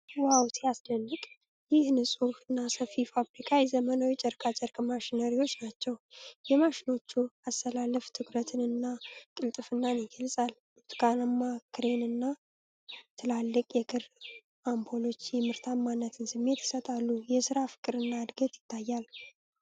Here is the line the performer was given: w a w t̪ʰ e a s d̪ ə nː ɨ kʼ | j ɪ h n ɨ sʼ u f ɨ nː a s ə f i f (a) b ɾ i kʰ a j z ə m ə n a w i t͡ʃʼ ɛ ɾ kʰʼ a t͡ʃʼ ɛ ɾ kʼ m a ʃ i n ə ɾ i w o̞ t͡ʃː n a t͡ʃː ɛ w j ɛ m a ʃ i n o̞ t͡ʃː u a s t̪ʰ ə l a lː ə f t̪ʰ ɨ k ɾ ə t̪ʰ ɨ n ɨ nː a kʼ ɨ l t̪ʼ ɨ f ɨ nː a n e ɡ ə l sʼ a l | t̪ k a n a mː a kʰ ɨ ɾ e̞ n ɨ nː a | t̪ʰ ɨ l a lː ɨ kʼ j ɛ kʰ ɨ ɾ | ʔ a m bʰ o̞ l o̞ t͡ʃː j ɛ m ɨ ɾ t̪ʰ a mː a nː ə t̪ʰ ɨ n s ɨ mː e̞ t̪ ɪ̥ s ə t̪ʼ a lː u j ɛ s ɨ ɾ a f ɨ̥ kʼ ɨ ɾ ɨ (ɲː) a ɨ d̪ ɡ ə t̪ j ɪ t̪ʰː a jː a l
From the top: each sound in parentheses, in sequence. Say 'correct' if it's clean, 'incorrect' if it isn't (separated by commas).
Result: correct, incorrect